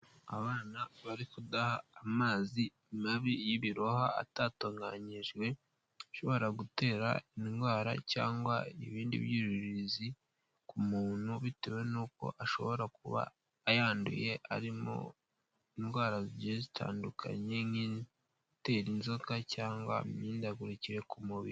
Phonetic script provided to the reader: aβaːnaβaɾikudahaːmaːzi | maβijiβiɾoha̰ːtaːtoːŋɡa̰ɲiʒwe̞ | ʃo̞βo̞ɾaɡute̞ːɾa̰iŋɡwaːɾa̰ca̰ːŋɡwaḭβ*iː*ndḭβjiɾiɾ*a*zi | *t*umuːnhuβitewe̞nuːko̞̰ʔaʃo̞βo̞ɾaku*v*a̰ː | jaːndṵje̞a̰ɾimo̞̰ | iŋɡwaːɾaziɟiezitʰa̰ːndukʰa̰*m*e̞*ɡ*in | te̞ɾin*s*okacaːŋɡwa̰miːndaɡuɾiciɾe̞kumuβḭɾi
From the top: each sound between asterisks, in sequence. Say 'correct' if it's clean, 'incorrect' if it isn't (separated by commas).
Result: correct, incorrect, incorrect, incorrect, incorrect, incorrect, incorrect